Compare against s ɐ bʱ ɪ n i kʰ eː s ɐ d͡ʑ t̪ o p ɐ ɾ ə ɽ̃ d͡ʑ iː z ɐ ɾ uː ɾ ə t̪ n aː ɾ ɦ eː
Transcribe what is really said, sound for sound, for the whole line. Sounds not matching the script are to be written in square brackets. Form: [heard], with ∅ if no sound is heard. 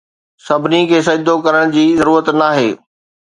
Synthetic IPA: s ɐ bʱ ɪ n i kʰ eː s ɐ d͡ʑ [d̪] o [k] ɐ ɾ ə ɽ̃ d͡ʑ iː z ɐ ɾ uː ɾ ə t̪ n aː [∅] ɦ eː